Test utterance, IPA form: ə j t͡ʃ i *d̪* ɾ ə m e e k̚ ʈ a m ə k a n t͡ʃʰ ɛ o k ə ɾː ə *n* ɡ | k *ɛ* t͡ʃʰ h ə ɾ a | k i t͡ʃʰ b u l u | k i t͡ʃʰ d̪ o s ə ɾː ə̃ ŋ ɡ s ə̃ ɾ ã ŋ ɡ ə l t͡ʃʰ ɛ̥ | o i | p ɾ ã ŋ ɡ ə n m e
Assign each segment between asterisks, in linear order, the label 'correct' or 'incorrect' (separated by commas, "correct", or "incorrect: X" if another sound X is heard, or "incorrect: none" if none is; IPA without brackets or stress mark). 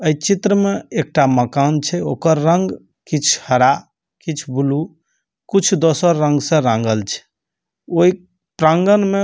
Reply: incorrect: t̪, incorrect: ŋ, incorrect: i